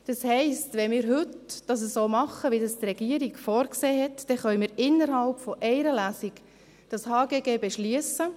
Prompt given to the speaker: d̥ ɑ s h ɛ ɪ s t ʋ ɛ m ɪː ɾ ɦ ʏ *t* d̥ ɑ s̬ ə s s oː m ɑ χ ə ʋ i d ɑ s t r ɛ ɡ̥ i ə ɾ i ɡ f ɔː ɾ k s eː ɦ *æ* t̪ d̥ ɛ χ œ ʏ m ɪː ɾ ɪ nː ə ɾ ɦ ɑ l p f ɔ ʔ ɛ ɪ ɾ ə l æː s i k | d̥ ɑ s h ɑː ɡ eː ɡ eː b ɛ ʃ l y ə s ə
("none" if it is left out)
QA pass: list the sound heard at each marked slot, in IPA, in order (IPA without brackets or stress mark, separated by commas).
t, ɛ